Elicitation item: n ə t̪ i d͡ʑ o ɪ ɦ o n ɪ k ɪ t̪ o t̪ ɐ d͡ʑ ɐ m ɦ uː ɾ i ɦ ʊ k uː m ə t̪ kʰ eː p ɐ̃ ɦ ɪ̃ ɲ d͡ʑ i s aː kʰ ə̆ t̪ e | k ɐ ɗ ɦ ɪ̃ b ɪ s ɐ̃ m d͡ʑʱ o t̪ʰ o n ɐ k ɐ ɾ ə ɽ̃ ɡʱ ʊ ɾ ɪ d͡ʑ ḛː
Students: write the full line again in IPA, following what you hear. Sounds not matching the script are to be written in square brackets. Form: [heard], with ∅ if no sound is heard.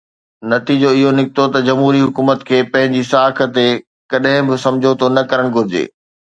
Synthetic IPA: n [ɐ] t̪ i d͡ʑ o ɪ ɦ o n ɪ k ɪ t̪ o t̪ ɐ d͡ʑ ɐ m ɦ uː ɾ i ɦ ʊ k uː m ə t̪ kʰ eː p ɐ̃ ɦ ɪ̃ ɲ d͡ʑ i s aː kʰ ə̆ t̪ e | k ɐ ɗ ɦ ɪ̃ b ɪ s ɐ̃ m d͡ʑʱ o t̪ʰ o n ɐ k ɐ ɾ ə ɽ̃ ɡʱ ʊ ɾ ɪ d͡ʑ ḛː